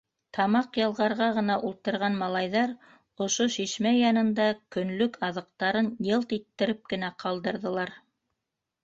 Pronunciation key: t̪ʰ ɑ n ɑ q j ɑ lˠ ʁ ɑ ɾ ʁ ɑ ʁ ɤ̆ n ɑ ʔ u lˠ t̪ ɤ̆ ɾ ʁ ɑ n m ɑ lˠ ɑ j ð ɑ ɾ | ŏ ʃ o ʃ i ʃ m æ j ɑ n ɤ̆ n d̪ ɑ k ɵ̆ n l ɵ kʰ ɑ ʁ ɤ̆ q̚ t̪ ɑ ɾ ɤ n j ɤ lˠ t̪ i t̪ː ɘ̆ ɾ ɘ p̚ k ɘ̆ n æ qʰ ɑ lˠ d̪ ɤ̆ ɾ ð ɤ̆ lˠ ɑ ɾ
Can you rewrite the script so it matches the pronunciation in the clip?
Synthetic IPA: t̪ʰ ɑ m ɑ q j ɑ lˠ ʁ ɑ ɾ ʁ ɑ ʁ ɤ̆ n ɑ ʔ u lˠ t̪ ɤ̆ ɾ ʁ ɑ n m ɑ lˠ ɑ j ð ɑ ɾ | ŏ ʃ o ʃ i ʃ m æ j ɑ n ɤ̆ n d̪ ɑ k ɵ̆ n l ɵ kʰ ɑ ð ɤ̆ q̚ t̪ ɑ ɾ ɤ n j ɤ lˠ t̪ i t̪ː ɘ̆ ɾ ɘ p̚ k ɘ̆ n æ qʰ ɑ lˠ d̪ ɤ̆ ɾ ð ɤ̆ lˠ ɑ ɾ